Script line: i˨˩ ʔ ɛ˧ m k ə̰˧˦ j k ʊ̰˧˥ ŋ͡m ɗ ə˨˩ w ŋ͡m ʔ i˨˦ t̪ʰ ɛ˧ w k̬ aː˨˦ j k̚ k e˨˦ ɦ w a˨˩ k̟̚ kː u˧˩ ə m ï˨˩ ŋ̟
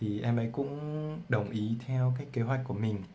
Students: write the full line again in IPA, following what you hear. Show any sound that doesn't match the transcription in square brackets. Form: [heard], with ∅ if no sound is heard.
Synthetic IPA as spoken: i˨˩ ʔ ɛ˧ m [ʔ] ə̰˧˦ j k ʊ̰˧˥ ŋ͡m ɗ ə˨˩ w ŋ͡m ʔ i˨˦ t̪ʰ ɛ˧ w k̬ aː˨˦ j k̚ k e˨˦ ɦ w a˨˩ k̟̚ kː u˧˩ ə m ï˨˩ ŋ̟